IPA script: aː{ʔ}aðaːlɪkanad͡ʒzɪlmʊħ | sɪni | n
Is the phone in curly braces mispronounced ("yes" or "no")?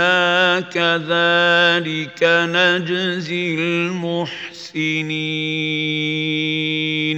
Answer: yes